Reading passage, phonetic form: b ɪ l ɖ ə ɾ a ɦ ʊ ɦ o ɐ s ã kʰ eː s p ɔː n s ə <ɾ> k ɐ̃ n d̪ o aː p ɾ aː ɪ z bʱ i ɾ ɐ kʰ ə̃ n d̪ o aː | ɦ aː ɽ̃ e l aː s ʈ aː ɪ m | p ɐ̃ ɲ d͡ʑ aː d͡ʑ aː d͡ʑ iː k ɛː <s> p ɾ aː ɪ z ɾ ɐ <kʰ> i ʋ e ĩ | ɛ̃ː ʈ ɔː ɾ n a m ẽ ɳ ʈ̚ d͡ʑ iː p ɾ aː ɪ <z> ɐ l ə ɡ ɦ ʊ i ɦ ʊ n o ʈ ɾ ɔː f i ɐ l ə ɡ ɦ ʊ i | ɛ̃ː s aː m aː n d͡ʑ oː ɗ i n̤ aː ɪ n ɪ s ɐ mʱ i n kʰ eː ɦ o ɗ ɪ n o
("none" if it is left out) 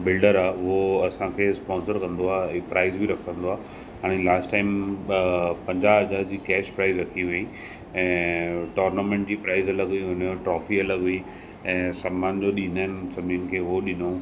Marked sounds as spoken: ɾ, ʃ, kʰ, z

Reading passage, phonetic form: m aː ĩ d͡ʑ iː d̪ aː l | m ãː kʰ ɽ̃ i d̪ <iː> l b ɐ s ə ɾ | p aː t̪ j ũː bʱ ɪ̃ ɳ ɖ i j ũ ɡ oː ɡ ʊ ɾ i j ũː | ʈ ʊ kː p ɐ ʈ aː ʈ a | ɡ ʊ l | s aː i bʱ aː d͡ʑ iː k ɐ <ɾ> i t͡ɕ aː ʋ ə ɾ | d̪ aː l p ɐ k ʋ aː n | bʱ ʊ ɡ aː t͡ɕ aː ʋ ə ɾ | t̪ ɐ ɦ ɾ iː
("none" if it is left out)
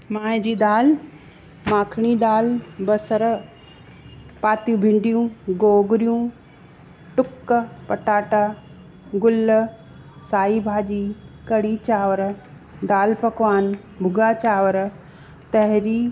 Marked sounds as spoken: aː, ɽ

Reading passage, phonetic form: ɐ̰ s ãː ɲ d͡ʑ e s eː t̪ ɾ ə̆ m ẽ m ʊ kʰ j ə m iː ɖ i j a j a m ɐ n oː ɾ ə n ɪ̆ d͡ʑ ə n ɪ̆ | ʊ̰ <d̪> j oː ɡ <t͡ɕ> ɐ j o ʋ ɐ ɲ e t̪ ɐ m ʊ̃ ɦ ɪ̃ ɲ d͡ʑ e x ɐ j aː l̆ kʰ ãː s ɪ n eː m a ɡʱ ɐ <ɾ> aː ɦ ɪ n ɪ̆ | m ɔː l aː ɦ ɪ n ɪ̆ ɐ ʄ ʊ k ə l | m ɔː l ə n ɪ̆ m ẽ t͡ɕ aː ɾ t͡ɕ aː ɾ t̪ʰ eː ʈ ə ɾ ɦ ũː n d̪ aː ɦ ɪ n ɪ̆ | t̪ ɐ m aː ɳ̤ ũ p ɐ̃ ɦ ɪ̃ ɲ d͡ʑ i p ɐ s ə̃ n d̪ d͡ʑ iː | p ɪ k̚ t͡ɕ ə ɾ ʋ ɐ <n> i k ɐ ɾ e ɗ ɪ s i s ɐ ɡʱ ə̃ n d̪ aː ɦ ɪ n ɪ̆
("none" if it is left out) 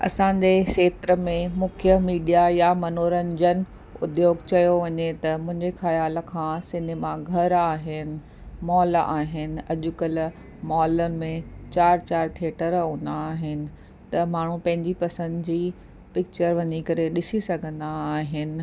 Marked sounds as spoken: d̪, t͡ɕ, ɾ, ɲ

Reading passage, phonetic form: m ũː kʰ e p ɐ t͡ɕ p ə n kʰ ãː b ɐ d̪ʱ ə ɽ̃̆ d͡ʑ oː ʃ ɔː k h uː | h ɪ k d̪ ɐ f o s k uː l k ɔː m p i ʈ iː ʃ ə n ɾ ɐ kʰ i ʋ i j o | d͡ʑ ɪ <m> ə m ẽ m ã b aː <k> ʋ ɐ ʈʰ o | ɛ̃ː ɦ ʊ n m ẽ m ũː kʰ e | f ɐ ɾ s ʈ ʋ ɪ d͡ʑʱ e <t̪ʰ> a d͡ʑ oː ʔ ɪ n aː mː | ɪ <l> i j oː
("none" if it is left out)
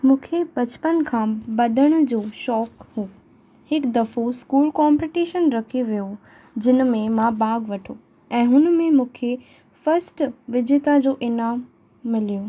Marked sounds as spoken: n, ɡ, t̪, l

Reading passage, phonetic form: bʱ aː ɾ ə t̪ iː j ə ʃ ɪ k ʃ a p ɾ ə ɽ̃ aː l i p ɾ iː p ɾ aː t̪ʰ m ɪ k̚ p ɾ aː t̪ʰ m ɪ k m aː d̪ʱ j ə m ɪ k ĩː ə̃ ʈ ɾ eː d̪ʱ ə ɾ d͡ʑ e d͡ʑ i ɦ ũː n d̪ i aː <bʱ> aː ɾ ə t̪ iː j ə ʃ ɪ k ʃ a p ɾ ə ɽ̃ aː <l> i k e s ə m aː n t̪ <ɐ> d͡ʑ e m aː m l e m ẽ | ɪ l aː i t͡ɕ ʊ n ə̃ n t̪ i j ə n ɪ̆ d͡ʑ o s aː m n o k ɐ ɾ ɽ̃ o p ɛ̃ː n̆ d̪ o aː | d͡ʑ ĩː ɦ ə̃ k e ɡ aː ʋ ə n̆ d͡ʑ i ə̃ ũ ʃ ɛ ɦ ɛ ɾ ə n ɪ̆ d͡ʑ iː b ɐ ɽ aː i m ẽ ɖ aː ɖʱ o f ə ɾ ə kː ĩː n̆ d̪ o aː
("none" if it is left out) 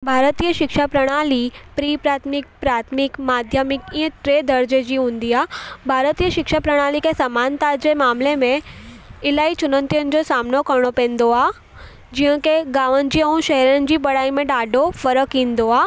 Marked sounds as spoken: bʱ, l, a

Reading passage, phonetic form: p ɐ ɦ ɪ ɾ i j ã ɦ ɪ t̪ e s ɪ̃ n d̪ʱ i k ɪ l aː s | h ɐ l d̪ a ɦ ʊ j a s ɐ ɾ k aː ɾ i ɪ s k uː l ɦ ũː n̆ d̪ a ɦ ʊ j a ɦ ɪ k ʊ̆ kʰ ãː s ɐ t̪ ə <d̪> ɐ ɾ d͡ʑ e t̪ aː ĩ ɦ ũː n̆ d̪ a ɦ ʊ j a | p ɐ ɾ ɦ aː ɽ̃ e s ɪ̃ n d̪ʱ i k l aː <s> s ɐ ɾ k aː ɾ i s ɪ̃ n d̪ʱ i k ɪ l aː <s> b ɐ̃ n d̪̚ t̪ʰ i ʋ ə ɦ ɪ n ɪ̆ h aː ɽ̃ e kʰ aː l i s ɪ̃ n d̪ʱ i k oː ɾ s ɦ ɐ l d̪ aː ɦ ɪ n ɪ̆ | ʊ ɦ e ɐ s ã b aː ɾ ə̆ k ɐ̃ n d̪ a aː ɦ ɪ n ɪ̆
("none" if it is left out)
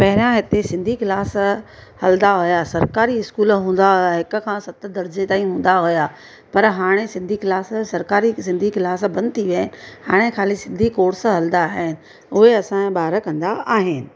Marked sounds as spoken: d̪, s, s

